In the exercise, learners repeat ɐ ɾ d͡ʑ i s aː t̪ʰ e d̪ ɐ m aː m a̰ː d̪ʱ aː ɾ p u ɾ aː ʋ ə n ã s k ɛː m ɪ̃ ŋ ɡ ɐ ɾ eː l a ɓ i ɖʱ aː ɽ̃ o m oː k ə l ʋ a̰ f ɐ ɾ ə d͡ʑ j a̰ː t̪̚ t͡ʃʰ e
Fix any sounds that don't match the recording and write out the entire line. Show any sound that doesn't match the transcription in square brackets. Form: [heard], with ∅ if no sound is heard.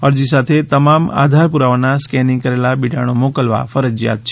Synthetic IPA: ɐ ɾ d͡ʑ i s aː t̪ʰ e [t̪] ɐ m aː m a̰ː d̪ʱ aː ɾ p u ɾ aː ʋ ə n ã s k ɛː [n] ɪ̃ ŋ [k] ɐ ɾ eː l a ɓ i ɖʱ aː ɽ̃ o m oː k ə l ʋ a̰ f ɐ ɾ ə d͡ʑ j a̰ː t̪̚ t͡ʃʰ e

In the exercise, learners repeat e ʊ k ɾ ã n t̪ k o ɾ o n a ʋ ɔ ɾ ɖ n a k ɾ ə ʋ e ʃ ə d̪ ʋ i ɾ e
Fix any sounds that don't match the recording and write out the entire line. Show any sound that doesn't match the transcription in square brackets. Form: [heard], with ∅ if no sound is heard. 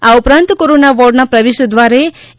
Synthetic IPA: [a] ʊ [p] ɾ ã n t̪ k o ɾ o n a ʋ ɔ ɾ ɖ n a [p] ɾ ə ʋ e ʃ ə d̪ ʋ [a] ɾ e

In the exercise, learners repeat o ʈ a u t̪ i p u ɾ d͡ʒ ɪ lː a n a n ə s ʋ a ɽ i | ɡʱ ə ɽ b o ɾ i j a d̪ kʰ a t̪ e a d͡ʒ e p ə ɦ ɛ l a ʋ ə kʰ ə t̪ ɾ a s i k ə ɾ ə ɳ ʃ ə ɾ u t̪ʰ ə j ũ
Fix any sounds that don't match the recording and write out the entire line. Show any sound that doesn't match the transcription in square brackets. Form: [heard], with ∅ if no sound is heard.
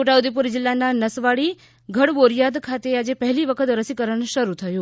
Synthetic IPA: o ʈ a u [d̪] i p u ɾ d͡ʒ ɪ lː a n a n ə s ʋ a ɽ i | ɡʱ ə ɽ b o ɾ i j a d̪ kʰ a t̪ e a d͡ʒ e p ə ɦ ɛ l [i] ʋ ə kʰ ə t̪ ɾ [ə] s i k ə ɾ ə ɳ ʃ ə ɾ u t̪ʰ ə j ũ

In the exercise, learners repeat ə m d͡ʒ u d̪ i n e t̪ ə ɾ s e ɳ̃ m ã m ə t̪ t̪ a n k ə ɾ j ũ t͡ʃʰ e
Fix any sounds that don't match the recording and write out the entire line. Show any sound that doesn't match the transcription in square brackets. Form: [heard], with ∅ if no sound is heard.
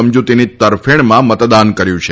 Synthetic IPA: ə m d͡ʒ u [t̪] i n [i] t̪ ə ɾ [f] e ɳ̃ m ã m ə t̪ [d̪] a n k ə ɾ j ũ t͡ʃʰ e

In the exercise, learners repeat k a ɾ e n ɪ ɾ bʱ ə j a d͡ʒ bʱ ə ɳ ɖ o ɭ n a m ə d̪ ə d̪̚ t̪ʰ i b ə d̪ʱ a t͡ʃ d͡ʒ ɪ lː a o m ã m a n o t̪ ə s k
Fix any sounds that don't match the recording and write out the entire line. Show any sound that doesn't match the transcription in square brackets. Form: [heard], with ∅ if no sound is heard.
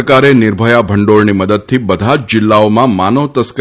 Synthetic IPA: k a ɾ e n ɪ ɾ bʱ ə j a [∅] bʱ ə ɳ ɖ o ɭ n [i] m ə d̪ ə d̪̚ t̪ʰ i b ə d̪ʱ a t͡ʃ d͡ʒ ɪ lː a o m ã m a n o t̪ ə s k

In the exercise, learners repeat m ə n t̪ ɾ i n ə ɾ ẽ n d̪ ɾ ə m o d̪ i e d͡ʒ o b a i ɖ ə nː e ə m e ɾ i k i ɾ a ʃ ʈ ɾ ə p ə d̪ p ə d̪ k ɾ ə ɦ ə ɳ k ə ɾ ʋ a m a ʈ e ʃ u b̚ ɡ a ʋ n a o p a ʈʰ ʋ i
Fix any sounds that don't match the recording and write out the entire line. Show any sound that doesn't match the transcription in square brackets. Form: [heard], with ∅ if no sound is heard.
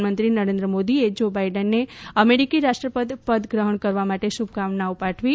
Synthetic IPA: m ə n t̪ ɾ i n ə ɾ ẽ n d̪ ɾ ə m o d̪ i e d͡ʒ o b a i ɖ ə nː e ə m e ɾ i k i ɾ a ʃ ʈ ɾ ə p ə d̪ p ə d̪ [ɡ] ɾ ə ɦ ə ɳ k ə ɾ ʋ a m a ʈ e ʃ u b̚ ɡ a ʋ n a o p a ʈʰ ʋ i

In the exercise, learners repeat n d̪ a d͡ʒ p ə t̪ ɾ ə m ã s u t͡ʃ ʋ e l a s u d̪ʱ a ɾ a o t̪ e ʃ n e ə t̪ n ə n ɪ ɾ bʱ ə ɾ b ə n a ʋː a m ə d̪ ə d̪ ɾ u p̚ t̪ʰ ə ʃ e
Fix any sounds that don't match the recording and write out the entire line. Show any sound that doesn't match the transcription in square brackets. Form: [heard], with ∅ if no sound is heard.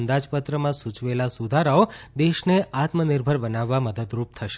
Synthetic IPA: n d̪ a d͡ʒ p ə t̪ ɾ ə m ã s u t͡ʃ ʋ e l a s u d̪ʱ a ɾ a o [d̪] e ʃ n e [a] t̪ [m] ə n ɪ ɾ bʱ ə ɾ b ə n a ʋː a m ə d̪ ə d̪ ɾ u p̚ t̪ʰ ə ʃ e

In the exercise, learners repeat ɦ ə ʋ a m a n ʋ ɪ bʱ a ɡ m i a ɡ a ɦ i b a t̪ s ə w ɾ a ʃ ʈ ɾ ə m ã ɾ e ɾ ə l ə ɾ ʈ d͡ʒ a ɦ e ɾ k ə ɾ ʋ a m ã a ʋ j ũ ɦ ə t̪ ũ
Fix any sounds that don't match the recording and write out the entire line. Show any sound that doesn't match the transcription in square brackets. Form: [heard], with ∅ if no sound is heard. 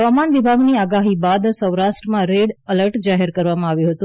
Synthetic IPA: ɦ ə ʋ a m a n ʋ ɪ bʱ a ɡ [n] i a ɡ a ɦ i b a [d̪] s ə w ɾ a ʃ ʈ ɾ ə m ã ɾ e [ɽ] ə l ə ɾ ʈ d͡ʒ a ɦ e ɾ k ə ɾ ʋ a m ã a ʋ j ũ ɦ ə t̪ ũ

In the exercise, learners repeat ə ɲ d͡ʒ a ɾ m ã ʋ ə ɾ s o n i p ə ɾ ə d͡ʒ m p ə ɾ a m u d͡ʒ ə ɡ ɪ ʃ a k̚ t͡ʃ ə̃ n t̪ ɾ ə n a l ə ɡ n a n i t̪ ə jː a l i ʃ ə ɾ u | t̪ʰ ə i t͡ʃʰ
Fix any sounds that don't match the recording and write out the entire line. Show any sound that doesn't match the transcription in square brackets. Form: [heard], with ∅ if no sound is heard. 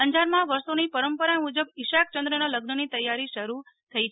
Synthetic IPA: ə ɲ d͡ʒ a ɾ m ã ʋ ə ɾ s o n i p ə ɾ ə [∅] m p ə ɾ a m u d͡ʒ ə [b] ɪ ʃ a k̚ t͡ʃ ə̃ n [d̪] ɾ ə n a l ə ɡ n [ə] n i t̪ ə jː a [ɾ] i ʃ ə ɾ u | t̪ʰ ə i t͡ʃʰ

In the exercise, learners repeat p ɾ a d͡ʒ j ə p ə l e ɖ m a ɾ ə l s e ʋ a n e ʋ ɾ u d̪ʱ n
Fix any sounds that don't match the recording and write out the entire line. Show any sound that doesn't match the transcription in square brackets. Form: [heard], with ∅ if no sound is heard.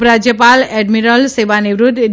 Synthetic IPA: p ɾ a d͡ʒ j ə p [a] l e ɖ m [i] ɾ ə l s e ʋ a n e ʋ ɾ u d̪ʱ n

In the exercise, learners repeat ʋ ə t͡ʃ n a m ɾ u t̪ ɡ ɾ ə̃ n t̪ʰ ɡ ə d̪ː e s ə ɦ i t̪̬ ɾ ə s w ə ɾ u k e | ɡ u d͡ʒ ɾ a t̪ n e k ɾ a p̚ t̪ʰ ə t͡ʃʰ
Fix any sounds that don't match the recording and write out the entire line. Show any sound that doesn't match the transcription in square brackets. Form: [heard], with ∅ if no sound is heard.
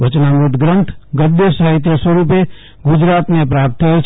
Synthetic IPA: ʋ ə t͡ʃ n a m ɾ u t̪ ɡ ɾ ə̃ n t̪ʰ ɡ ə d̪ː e s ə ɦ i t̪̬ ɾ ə s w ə ɾ u [p] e | ɡ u d͡ʒ ɾ a t̪ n e [p] ɾ a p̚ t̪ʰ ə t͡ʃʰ

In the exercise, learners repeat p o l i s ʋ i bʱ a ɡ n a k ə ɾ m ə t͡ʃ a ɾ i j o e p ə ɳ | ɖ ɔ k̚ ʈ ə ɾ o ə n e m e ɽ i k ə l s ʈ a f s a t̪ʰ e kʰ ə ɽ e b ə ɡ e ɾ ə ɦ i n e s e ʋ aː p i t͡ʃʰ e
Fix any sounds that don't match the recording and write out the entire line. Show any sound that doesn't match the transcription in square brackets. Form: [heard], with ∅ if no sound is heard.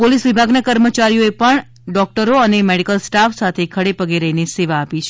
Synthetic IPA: p o l i s ʋ i bʱ a ɡ n a k ə ɾ m ə t͡ʃ a ɾ i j o e p ə ɳ | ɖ ɔ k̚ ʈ ə ɾ o ə n e m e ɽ i k ə l s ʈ a f s a t̪ʰ e kʰ ə ɽ e [p] ə ɡ e ɾ ə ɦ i n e s e ʋ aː p i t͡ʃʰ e

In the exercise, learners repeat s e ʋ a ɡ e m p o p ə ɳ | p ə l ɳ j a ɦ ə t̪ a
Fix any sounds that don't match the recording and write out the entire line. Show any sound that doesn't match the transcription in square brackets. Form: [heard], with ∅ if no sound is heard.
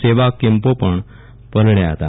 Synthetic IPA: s e ʋ a [k] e m p o p ə ɳ | p ə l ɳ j a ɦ ə t̪ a

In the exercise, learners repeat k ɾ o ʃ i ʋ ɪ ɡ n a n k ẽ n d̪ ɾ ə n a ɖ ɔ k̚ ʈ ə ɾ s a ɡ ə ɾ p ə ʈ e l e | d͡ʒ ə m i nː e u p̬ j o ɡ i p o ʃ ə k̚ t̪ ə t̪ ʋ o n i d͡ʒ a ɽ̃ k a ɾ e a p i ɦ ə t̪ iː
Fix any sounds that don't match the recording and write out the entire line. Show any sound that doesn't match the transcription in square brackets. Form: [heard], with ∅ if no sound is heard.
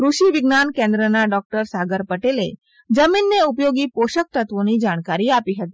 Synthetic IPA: k ɾ [u] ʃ i ʋ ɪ ɡ n a n k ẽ n d̪ ɾ ə n a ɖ ɔ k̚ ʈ ə ɾ s a ɡ ə ɾ p ə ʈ e l e | d͡ʒ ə m i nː e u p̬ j o ɡ i p o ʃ ə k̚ t̪ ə t̪ ʋ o n i d͡ʒ a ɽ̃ k a ɾ [i] a p i ɦ ə t̪ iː

